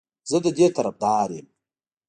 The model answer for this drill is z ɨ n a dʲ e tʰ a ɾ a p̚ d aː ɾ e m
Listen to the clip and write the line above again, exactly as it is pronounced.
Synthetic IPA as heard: z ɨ d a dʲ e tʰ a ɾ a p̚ d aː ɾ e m